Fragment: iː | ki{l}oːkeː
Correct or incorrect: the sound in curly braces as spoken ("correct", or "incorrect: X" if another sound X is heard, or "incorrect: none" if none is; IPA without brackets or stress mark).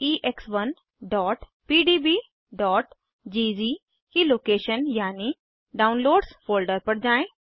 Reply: correct